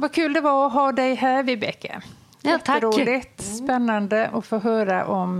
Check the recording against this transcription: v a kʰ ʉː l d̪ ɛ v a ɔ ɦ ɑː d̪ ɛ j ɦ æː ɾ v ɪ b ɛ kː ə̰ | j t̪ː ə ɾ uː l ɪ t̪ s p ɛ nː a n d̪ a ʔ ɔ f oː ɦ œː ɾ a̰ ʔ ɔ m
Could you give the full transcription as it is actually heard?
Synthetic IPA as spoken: v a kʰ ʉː l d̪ ɛ v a ɔ ɦ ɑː d̪ ɛ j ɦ æː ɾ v ɪ b ɛ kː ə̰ | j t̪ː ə ɾ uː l ɪ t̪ s p ɛ nː a n d̪ ə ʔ ɔ f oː ɦ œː ɾ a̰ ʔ ɔ m